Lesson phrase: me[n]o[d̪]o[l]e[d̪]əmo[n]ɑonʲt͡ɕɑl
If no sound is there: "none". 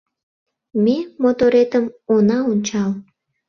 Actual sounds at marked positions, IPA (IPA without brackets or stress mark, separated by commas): m, t̪, ɾ, t̪, n